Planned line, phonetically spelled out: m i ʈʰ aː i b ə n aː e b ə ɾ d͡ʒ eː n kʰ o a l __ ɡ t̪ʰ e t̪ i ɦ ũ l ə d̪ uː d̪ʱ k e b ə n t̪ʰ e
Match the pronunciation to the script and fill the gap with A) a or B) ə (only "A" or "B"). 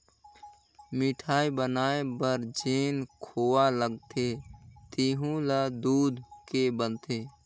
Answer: B